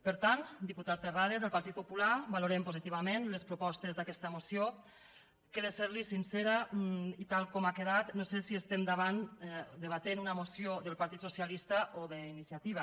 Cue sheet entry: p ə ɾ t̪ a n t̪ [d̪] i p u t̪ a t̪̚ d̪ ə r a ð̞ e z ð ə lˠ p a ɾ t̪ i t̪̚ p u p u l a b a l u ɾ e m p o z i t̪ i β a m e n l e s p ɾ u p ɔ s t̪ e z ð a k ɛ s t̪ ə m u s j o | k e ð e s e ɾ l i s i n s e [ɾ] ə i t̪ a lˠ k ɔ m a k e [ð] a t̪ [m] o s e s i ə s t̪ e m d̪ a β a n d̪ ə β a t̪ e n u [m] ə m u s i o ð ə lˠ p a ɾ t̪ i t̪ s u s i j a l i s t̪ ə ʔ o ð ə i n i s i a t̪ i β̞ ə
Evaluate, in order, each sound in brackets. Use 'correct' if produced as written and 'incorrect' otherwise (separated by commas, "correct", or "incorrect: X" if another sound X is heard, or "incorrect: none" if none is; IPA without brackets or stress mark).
correct, correct, correct, incorrect: n, incorrect: n